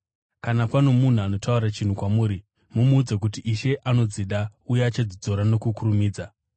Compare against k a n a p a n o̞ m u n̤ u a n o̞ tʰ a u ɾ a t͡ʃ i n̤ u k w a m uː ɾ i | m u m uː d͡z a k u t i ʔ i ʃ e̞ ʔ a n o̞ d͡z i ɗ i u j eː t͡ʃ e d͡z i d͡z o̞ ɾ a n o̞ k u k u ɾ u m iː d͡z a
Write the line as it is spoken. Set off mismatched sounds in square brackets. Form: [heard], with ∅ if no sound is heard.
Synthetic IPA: k a n a p a n o̞ m u n̤ u a n o̞ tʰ a u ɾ a t͡ʃ i n̤ u k w a m uː ɾ i | m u m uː d͡z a k u t i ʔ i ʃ e̞ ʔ a n o̞ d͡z i ɗ [a] u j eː t͡ʃ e d͡z i d͡z o̞ ɾ a n o̞ k u k u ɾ u m iː d͡z a